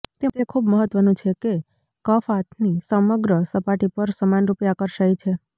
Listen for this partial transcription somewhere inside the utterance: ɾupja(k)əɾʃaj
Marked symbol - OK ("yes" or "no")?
yes